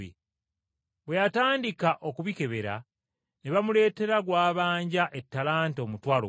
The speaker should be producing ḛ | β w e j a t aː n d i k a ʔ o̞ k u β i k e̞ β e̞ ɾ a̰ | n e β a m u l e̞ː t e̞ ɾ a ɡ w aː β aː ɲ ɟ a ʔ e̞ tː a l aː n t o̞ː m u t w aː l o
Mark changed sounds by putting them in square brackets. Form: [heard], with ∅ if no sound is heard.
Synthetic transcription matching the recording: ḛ | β w e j a t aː n d i k a ʔ o̞ k u β i k e̞ β e̞ ɾ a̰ | n e β a m u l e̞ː t e̞ ɾ a ɡ w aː β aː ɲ ɟ a ʔ e̞ tː a l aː n t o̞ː m u t w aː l o